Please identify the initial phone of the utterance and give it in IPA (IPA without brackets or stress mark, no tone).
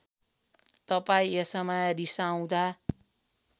t̪